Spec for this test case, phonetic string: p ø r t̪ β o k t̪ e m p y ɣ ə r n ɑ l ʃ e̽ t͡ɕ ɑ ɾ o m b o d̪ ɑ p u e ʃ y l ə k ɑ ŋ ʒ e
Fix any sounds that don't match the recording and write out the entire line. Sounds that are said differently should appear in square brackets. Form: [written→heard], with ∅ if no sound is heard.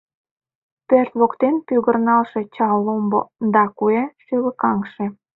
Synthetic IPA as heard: p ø r t̪ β o k t̪ e [m→n] p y ɣ ə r n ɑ l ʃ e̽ t͡ɕ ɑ [ɾ→l] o m b o d̪ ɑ [p→k] u e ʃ y l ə k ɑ ŋ [ʒ→ʃ] e